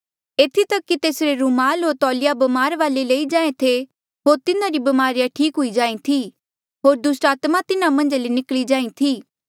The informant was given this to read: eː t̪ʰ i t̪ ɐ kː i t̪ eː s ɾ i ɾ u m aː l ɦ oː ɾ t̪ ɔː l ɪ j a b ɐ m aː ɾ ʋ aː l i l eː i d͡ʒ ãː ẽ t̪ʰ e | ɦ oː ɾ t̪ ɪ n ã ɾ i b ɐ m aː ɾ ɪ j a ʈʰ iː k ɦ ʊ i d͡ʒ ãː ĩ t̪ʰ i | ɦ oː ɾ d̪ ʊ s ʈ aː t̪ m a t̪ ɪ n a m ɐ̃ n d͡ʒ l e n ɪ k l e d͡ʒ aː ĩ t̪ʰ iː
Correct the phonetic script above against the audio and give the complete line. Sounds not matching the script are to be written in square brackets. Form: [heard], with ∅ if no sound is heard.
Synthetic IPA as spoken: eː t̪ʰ i t̪ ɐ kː i t̪ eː s ɾ [e] ɾ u m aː l ɦ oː ɾ t̪ ɔː l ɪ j a b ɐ m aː ɾ ʋ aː l [e] l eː i d͡ʒ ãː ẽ t̪ʰ e | ɦ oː ɾ t̪ ɪ n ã ɾ i b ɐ m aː ɾ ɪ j a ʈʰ iː k ɦ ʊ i d͡ʒ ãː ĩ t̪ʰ i | ɦ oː ɾ d̪ ʊ s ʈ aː t̪ m a t̪ ɪ n a m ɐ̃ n d͡ʒ l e n ɪ k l [i] d͡ʒ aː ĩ t̪ʰ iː